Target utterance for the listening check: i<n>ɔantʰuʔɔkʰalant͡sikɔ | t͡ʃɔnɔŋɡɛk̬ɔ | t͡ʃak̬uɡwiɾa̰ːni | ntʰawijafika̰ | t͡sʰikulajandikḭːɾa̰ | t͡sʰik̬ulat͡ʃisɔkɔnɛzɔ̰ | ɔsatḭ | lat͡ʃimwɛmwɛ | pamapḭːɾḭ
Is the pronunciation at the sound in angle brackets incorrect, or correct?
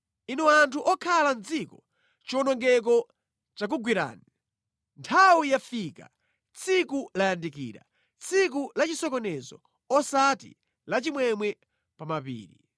correct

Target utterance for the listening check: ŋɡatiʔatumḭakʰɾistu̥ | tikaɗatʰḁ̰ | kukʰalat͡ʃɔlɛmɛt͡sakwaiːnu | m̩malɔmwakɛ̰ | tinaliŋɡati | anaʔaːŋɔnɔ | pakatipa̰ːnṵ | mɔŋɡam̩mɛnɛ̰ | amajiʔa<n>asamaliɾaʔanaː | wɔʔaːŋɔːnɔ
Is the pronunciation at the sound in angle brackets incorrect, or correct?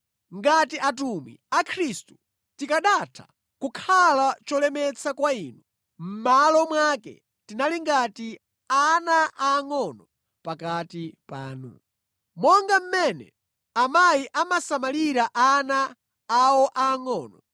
incorrect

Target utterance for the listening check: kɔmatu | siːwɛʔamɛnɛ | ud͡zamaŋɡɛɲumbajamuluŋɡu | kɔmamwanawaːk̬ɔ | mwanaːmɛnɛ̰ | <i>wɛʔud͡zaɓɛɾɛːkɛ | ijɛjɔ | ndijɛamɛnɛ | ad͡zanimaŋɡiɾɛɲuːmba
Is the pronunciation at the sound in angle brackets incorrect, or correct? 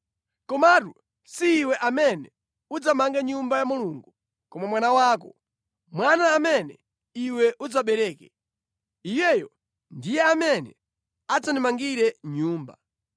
correct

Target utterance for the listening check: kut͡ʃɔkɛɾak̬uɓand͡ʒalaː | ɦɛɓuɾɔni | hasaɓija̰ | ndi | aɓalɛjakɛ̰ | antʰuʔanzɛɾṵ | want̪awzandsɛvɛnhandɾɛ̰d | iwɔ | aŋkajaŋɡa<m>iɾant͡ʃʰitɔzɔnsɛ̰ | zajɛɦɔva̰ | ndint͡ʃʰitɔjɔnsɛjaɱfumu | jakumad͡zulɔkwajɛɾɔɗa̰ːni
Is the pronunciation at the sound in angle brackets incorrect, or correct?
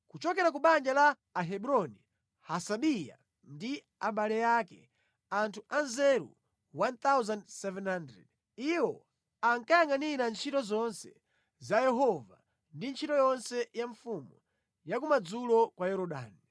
incorrect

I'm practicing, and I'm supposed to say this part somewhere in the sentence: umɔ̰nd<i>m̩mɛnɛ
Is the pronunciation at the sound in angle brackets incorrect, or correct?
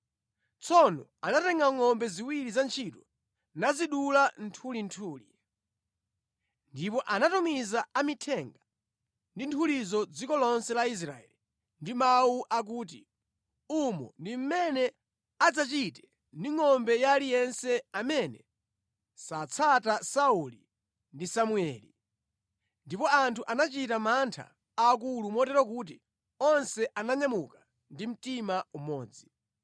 correct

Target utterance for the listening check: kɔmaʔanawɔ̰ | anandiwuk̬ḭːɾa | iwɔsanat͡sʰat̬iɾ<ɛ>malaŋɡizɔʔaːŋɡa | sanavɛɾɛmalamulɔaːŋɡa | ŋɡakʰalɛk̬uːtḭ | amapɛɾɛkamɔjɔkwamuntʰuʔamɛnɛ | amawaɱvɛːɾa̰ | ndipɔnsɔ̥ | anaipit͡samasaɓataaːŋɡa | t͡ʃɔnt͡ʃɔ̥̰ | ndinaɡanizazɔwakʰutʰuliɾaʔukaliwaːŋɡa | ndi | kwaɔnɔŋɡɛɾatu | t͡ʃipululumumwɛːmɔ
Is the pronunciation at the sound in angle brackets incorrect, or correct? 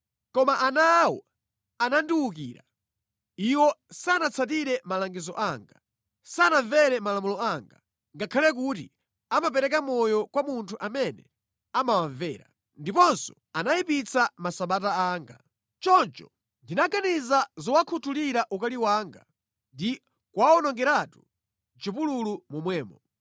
correct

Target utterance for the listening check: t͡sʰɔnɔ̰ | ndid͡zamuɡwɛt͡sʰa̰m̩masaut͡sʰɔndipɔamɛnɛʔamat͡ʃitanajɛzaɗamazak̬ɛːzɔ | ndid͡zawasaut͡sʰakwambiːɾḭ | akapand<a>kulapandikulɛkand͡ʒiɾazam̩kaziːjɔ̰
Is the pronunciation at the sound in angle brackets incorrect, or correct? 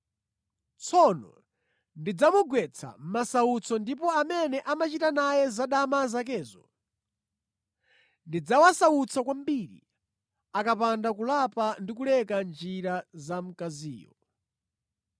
correct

